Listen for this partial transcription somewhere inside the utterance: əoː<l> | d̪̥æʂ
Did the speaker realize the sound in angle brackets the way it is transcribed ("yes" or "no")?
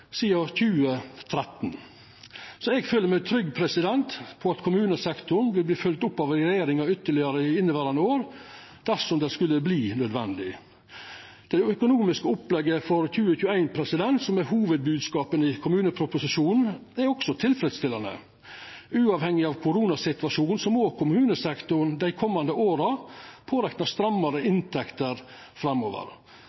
no